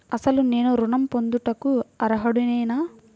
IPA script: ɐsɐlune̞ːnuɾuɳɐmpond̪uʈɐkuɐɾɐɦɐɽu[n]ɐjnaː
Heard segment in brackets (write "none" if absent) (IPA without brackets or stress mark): n